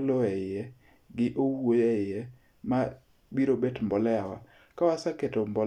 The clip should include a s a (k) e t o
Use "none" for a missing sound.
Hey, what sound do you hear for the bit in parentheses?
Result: k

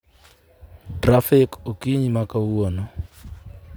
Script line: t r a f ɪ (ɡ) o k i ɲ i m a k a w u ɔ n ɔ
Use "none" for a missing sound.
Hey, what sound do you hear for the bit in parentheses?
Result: k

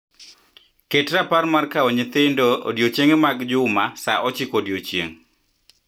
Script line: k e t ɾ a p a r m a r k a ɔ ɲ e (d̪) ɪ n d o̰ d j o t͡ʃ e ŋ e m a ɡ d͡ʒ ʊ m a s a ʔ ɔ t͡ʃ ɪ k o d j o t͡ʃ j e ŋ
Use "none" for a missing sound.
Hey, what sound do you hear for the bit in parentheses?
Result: t̪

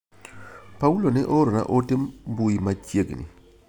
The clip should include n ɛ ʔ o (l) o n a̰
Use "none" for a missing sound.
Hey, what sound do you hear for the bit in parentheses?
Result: ɾ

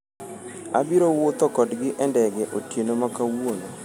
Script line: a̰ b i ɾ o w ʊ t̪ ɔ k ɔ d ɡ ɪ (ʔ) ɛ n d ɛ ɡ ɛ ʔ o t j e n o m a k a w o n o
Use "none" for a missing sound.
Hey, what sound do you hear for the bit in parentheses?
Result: ʔ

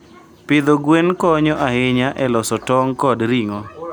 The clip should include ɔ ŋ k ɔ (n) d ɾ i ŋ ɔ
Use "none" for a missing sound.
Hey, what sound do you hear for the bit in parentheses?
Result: none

